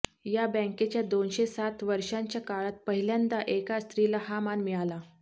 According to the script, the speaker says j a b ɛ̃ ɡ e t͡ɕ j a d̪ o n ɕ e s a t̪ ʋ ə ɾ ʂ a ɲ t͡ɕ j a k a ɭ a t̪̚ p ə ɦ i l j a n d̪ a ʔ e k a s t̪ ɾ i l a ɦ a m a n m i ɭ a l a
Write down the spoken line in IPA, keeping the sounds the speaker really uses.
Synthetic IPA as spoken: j a b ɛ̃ k e t͡ɕ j a d̪ o n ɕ e s a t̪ ʋ ə ɾ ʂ a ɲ t͡ɕ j a k a ɭ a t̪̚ p ə ɦ i l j a n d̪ a ʔ e k a s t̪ ɾ i l a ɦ a m a n m i ɭ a l a